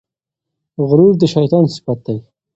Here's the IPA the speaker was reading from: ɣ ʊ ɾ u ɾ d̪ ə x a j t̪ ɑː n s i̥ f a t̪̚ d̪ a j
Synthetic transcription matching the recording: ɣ ʊ ɾ u ɾ d̪ ə ʃ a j t̪ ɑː n s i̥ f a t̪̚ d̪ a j